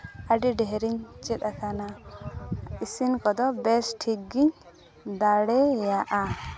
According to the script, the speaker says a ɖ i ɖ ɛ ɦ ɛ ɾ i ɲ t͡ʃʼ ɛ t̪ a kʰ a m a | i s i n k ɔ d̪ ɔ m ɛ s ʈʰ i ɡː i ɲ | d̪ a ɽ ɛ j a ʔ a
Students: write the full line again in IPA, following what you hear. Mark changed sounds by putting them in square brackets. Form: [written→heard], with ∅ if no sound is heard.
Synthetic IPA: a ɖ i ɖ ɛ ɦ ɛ ɾ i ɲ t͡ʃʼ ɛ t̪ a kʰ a [m→n] a | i s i n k ɔ d̪ ɔ [m→b] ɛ s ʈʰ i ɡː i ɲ | d̪ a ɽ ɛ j a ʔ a